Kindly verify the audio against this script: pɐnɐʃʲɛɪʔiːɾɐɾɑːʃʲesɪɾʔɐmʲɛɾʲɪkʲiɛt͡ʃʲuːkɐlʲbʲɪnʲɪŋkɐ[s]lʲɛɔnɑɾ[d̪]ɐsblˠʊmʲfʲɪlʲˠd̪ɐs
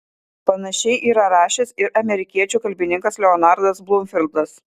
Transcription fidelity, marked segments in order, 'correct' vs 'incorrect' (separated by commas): correct, correct